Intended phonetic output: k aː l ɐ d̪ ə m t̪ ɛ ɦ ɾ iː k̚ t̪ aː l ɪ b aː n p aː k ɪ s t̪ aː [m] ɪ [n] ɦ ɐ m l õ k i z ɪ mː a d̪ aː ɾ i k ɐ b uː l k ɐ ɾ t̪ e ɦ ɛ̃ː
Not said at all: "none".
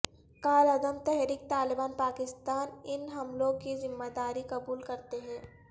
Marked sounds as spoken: n, n

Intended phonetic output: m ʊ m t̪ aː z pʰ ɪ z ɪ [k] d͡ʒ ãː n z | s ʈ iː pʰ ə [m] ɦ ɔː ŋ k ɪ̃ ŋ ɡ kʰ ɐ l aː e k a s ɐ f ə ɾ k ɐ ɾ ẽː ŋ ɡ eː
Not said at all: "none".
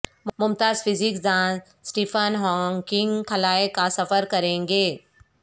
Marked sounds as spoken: k, n

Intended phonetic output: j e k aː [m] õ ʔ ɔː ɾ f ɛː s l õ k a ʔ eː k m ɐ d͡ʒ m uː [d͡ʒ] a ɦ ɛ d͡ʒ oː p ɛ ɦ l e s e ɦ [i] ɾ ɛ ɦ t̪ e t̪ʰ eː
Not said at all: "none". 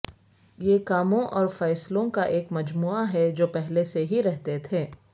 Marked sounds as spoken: m, none, i

